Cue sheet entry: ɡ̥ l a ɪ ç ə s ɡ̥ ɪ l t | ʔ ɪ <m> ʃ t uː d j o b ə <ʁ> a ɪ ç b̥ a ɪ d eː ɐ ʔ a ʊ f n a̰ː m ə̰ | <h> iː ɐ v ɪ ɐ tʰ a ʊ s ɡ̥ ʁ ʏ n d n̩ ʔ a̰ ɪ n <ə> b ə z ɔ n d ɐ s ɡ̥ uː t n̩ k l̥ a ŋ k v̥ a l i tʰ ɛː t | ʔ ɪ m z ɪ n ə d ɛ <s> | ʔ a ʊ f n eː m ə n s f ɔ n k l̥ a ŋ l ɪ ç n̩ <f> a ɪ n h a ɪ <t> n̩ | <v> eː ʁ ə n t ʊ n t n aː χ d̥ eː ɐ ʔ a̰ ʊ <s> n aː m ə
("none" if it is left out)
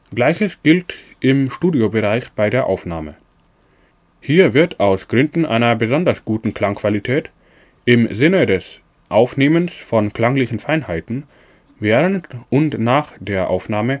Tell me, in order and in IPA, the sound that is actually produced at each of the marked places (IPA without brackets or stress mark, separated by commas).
m, ʁ, h, ɐ, s, f, t, v, f